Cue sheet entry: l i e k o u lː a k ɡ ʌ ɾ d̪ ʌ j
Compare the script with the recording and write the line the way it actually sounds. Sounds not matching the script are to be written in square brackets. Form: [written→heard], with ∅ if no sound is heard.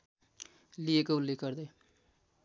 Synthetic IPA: l i e k o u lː [a→e] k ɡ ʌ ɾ d̪ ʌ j